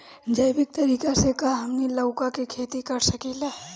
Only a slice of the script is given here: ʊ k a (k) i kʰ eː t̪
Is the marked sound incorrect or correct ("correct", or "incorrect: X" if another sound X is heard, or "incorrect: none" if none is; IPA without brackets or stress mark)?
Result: correct